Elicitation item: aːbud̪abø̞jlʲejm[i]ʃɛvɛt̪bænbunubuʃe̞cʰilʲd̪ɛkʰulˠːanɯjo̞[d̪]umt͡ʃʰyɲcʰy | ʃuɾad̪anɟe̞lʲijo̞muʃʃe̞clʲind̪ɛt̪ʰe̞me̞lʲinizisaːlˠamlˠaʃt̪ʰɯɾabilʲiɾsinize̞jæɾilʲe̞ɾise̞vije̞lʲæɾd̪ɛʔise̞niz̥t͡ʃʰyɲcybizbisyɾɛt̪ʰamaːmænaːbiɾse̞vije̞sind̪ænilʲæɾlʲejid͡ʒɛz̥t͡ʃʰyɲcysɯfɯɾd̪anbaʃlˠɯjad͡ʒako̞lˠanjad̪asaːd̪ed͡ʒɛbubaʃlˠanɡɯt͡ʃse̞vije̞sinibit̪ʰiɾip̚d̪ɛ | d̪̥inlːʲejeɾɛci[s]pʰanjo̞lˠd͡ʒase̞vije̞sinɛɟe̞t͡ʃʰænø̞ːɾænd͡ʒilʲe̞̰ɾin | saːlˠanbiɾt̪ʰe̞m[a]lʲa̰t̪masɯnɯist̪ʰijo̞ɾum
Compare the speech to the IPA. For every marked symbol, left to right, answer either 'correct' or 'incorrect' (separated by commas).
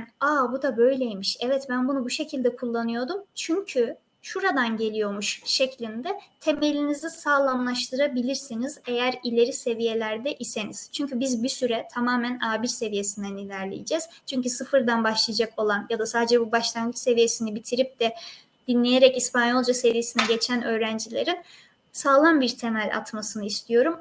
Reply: correct, correct, correct, incorrect